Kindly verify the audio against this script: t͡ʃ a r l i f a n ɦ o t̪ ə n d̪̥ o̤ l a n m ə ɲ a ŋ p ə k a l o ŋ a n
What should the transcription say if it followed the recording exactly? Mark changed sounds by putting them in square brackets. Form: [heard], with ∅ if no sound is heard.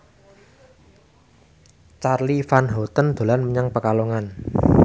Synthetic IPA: t͡ʃ a r l i f a n ɦ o t̪ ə n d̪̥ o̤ l a n m ə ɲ a ŋ p ə k a l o ŋ a n